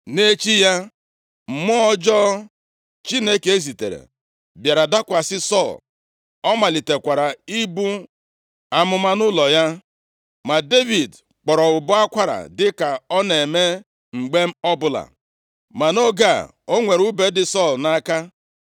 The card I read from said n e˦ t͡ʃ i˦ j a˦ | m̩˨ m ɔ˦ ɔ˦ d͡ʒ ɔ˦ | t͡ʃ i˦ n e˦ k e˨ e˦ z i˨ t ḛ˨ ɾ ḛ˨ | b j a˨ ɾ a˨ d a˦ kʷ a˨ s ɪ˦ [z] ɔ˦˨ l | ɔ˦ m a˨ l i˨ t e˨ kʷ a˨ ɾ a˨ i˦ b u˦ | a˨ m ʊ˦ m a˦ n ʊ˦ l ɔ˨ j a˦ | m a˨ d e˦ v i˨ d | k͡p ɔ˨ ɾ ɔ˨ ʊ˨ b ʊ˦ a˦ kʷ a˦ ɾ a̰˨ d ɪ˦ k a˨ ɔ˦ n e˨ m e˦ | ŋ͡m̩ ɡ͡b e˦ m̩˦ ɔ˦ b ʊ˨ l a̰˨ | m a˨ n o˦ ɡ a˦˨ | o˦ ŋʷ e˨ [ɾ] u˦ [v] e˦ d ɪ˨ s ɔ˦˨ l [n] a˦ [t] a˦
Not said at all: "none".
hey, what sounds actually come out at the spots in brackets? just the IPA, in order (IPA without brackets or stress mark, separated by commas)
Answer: s, ɾ, b, n, k